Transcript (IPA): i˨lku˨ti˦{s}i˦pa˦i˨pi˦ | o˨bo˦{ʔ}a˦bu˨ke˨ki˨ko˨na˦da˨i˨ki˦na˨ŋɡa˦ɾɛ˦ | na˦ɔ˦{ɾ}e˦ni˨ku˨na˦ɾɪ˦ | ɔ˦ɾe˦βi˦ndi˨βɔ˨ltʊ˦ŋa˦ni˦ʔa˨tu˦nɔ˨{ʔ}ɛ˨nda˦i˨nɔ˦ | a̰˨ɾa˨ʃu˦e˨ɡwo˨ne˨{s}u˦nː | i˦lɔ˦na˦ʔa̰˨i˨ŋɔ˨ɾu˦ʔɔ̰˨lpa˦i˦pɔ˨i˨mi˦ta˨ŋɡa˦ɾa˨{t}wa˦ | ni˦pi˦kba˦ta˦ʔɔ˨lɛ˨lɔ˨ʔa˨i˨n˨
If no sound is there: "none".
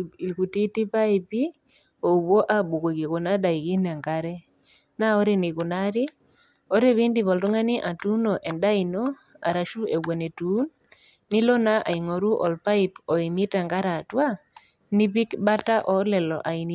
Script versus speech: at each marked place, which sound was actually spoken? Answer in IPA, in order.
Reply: t, ʔ, ɾ, ʔ, t, t

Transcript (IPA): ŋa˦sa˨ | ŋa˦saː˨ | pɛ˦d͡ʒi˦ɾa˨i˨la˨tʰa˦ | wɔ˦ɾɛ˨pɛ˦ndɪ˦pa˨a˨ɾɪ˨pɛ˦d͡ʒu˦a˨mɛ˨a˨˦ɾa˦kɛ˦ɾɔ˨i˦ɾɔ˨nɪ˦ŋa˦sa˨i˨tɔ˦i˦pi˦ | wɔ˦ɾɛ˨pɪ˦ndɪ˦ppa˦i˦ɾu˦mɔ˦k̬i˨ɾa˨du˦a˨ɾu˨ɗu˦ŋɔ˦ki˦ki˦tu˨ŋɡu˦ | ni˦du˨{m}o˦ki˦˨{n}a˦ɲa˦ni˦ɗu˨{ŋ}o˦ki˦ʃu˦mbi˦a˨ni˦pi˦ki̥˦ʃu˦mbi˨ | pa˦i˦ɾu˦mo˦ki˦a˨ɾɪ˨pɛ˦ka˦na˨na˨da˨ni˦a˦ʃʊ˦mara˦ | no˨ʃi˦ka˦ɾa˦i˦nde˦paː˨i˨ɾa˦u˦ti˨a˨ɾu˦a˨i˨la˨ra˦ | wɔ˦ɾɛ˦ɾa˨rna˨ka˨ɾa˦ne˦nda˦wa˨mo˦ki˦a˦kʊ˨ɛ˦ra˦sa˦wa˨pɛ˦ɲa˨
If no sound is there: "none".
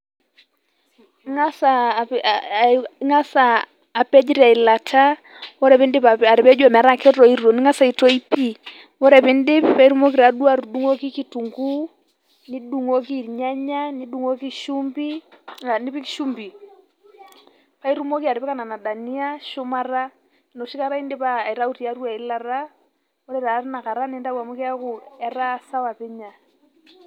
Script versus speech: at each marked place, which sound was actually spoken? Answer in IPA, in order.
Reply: ŋ, ɲ, ŋ

